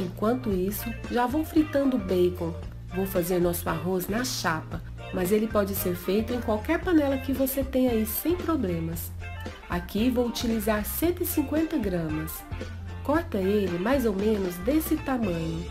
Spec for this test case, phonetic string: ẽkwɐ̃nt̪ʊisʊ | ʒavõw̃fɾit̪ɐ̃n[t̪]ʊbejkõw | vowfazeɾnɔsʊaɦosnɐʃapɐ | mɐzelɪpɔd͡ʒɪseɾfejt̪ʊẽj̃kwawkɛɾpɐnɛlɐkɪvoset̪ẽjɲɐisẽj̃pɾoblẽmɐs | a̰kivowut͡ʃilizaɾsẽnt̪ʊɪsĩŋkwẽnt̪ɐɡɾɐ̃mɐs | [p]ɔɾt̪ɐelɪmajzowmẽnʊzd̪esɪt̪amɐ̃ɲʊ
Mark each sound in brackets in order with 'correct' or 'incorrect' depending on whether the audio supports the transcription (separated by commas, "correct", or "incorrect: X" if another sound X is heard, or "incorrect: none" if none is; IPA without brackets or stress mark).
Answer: incorrect: d̪, incorrect: k